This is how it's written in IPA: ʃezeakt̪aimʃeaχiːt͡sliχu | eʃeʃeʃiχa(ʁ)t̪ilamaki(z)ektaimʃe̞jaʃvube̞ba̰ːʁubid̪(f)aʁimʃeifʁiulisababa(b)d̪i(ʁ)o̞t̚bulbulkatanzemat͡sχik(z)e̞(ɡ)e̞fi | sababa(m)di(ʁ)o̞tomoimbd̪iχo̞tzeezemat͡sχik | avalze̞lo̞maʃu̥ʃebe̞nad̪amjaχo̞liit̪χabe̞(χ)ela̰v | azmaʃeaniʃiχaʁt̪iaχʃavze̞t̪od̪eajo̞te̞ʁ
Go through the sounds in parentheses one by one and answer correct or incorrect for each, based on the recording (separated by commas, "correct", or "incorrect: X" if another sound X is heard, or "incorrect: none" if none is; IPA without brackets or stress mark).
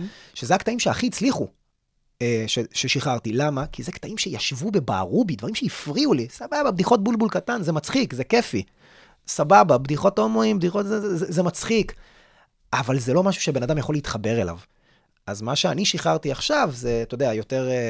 correct, correct, incorrect: v, correct, incorrect: χ, correct, incorrect: k, incorrect: b, incorrect: χ, incorrect: ʁ